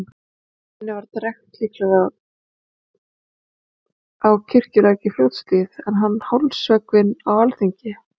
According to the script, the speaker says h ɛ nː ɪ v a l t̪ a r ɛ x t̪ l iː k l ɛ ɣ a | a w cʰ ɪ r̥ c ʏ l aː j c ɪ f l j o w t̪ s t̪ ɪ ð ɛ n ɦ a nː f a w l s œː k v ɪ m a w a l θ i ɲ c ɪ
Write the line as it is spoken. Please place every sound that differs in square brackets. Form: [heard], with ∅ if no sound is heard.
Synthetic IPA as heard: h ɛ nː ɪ v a [ɾ] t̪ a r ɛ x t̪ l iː k l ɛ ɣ a | a w cʰ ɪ r̥ c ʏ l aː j c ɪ f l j o w t̪ s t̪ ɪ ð ɛ n ɦ a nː [h] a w l s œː k v ɪ [n] a w a l θ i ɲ c ɪ